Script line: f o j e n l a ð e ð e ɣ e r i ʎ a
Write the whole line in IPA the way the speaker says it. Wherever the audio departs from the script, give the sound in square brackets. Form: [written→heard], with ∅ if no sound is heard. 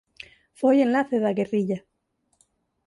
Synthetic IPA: f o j e n l a [ð→θ] e ð [e→a] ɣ e r i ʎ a